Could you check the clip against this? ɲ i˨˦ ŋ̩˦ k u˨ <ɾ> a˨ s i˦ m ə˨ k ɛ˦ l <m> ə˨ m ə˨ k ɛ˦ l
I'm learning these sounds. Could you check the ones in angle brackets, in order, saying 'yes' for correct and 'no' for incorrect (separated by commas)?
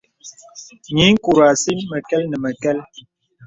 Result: yes, no